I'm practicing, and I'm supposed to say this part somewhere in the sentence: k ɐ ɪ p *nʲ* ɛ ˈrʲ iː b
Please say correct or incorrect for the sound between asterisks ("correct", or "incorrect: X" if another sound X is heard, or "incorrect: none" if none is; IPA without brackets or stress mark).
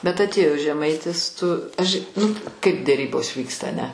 incorrect: dʲ